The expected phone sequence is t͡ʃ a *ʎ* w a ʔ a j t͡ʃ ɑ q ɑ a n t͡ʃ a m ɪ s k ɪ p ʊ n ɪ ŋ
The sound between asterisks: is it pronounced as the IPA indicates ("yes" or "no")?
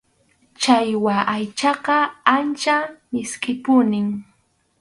no